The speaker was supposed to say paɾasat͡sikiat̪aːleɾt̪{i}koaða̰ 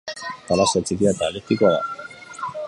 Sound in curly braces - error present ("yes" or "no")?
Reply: no